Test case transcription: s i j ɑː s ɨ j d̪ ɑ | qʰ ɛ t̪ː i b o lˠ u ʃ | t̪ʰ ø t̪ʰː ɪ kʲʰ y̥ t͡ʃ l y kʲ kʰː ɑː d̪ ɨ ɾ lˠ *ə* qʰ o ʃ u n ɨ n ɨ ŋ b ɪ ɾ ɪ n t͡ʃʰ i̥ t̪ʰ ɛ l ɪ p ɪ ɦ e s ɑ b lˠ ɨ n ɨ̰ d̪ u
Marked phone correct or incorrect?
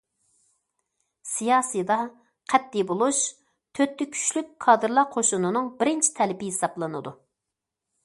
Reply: incorrect